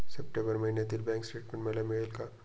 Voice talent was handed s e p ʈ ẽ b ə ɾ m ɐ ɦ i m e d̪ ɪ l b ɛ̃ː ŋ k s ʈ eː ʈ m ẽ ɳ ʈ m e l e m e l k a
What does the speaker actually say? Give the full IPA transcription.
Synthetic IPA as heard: s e p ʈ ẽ b ə ɾ m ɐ ɦ i n e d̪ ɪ l b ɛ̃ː ŋ k s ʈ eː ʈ m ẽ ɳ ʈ m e l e m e l k a